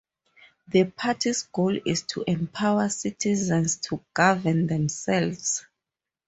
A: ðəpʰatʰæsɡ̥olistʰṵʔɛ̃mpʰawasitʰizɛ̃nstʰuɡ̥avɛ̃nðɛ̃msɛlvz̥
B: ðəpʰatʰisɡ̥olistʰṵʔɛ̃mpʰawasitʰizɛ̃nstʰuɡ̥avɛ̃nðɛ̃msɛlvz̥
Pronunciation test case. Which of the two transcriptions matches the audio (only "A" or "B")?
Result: B